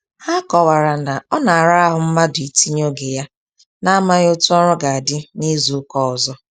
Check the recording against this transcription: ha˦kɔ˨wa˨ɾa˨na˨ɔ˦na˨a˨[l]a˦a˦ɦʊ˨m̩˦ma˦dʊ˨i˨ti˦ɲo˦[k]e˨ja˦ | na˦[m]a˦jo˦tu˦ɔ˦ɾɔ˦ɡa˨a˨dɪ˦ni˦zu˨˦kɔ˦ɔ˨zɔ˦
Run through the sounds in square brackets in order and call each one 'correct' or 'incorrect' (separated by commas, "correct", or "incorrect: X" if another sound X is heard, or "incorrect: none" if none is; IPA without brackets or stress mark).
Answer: incorrect: ɾ, incorrect: ɡ, correct